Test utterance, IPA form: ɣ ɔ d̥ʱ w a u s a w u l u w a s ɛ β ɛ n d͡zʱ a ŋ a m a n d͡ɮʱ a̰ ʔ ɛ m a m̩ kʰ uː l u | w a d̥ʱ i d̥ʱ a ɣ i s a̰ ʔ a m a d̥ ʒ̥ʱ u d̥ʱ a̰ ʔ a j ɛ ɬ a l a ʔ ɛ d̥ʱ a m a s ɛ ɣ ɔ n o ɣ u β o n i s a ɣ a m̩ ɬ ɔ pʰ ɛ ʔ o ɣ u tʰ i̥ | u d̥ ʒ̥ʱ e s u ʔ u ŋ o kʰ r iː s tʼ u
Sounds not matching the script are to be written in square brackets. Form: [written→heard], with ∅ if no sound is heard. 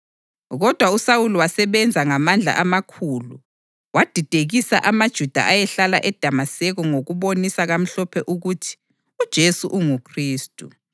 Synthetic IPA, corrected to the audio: ɣ ɔ d̥ʱ w a u s a w u l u w a s ɛ β ɛ n d͡zʱ a ŋ a m a n d͡ɮʱ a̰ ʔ [ɛ→a] m a [m̩→∅] kʰ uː l u | w a d̥ʱ i d̥ʱ [a→e] ɣ i s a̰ ʔ a m a d̥ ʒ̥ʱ u d̥ʱ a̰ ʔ a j ɛ ɬ a l a ʔ ɛ d̥ʱ a m a s ɛ ɣ ɔ [n→ŋ] o ɣ u β o n i s a ɣ a m̩ ɬ ɔ pʰ ɛ ʔ [o→u] ɣ u tʰ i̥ | u d̥ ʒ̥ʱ e s u ʔ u ŋ [o→u] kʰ r iː s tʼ u

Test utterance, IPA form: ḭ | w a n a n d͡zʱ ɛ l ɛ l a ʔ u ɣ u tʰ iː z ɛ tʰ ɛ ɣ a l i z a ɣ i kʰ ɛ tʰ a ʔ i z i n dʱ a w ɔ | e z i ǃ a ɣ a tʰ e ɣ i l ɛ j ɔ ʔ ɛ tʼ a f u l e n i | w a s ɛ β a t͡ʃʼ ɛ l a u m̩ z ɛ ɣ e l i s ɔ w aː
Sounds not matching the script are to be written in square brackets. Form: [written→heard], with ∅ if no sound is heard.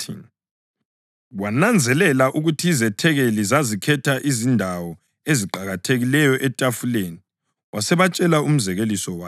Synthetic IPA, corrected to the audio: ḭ | w a n a n d͡zʱ ɛ l ɛ l a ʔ u ɣ u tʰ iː z ɛ tʰ ɛ ɣ [a→e] l i z a [ɣ→z] i kʰ ɛ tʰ a ʔ i z i n dʱ a w ɔ | e z i ǃ a ɣ a tʰ e ɣ i l ɛ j ɔ ʔ ɛ tʼ a f u l e n i | w a s ɛ β a t͡ʃʼ ɛ l a u m̩ z ɛ ɣ e l i s ɔ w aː

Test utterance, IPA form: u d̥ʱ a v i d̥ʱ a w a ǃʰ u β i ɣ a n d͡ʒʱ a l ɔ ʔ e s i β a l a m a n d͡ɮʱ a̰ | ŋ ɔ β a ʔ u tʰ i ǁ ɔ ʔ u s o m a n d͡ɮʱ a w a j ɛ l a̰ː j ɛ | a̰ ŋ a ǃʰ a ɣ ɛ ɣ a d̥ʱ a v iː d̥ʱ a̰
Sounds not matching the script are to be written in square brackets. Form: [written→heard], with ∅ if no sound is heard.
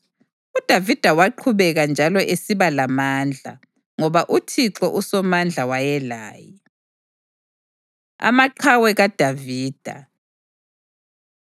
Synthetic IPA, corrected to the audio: u d̥ʱ a v i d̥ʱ a w a ǃʰ u β [i→ɛ] ɣ a n d͡ʒʱ a l ɔ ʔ e s i β a l a m a n d͡ɮʱ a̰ | ŋ ɔ β a ʔ u tʰ i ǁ ɔ ʔ u s [o→ɔ] m a n d͡ɮʱ a w a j ɛ l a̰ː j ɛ | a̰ [ŋ→m] a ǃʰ a [ɣ→w] ɛ ɣ a d̥ʱ a v iː d̥ʱ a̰

